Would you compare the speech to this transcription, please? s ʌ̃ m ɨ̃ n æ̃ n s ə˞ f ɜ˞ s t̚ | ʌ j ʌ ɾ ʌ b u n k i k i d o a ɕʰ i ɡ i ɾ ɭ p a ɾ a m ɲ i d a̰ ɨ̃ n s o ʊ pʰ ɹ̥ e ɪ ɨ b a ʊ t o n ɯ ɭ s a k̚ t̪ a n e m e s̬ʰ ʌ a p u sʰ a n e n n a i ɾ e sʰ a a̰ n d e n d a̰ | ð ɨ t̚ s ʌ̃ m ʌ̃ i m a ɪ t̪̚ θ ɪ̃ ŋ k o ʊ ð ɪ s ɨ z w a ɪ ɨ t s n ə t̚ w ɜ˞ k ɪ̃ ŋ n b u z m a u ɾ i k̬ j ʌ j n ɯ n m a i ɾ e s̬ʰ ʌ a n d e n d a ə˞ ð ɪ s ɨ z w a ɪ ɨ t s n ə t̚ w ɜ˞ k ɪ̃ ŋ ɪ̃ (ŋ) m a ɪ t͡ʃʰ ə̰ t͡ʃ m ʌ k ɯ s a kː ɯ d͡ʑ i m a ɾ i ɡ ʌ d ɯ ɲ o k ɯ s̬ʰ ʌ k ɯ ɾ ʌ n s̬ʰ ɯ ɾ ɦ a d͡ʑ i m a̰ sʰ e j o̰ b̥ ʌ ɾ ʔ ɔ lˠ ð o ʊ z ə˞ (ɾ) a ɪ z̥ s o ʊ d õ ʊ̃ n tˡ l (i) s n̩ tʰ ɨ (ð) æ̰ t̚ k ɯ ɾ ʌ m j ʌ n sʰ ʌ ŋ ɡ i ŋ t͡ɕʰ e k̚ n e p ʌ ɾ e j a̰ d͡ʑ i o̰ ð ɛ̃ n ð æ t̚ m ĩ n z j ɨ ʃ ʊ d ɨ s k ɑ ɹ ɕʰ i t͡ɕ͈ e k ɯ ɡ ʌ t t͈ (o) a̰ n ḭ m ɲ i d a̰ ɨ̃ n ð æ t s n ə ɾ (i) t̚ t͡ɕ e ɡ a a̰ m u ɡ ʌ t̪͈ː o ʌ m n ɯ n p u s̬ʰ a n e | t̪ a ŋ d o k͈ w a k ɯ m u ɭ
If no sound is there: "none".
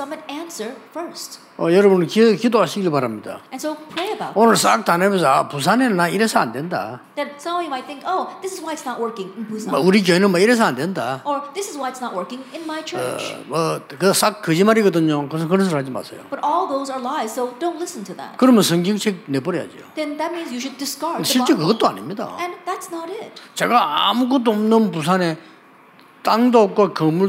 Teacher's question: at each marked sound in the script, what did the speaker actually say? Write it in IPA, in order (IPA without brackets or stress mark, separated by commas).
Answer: n, l, ɪ, ð, o, ɪ